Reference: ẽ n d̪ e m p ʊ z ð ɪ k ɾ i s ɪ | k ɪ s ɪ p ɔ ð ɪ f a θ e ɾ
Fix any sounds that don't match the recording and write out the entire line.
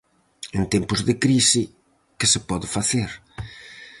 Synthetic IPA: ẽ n t̪ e m p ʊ z ð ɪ k ɾ i s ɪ | k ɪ s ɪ p ɔ ð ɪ f a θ e ɾ